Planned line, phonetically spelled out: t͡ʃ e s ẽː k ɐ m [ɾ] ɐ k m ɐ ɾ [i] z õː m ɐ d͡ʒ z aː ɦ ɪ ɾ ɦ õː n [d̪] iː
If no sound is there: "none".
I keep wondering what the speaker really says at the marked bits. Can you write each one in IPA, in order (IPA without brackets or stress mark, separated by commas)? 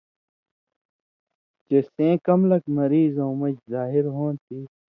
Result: l, iː, t̪